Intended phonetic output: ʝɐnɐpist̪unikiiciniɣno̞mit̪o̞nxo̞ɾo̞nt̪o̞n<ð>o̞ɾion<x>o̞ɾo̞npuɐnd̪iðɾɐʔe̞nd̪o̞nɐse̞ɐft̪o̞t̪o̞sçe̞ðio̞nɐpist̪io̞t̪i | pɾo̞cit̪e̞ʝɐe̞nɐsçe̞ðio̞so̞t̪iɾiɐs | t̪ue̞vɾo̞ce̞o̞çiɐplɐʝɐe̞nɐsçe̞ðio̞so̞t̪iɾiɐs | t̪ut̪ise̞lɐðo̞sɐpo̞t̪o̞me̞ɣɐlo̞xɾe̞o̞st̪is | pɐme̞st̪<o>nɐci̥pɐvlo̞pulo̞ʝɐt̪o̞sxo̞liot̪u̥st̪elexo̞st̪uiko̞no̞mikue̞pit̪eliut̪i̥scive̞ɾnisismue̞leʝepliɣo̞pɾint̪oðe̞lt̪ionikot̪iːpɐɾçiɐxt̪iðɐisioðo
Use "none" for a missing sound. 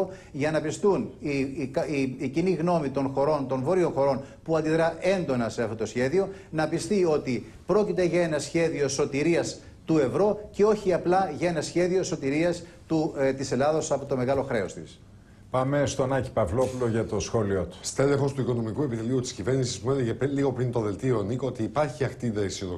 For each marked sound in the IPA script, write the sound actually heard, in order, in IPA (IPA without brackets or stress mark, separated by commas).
v, x, o